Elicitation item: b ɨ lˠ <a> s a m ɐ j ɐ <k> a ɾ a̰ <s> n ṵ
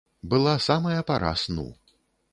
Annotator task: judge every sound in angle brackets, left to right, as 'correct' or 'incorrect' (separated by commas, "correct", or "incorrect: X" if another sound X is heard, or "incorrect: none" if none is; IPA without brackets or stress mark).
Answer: correct, incorrect: p, correct